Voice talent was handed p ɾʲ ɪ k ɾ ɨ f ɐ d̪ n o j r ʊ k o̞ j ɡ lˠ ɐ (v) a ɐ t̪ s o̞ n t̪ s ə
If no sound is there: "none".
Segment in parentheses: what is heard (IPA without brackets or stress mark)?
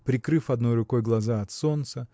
z